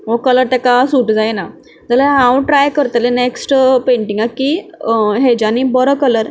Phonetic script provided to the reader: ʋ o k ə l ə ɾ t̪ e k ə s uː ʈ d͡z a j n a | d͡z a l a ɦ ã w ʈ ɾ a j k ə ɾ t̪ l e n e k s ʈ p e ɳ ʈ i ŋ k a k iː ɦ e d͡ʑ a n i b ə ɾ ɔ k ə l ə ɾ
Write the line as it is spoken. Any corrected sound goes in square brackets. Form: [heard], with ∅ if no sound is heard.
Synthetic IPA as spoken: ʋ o k ə l ə ɾ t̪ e k [a] s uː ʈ d͡z a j n a | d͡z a l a ɦ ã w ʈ ɾ a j k ə ɾ t̪ l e n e k s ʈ p e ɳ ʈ i ŋ [ɡ] a k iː ɦ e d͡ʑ a n i b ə ɾ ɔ k ə l ə ɾ